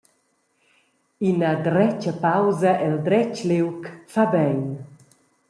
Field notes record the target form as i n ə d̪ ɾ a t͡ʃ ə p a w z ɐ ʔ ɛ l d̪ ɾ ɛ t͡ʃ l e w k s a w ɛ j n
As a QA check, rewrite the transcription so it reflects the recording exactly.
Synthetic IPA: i n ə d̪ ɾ ɛ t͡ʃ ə p a w z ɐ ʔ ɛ l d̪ ɾ ɛ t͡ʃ l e w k f a b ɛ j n